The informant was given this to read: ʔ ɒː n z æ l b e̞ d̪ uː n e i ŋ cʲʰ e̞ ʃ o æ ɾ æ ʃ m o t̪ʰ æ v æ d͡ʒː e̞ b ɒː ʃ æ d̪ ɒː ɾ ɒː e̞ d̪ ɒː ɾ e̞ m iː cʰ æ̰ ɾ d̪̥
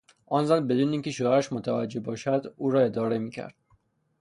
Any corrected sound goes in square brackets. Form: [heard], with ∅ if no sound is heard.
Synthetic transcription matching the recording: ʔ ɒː n z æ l b e̞ d̪ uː n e i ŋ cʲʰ e̞ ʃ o æ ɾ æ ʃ m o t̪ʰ æ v æ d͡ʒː e̞ b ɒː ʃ æ d̪ [uː] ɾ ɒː e̞ d̪ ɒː ɾ e̞ m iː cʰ æ̰ ɾ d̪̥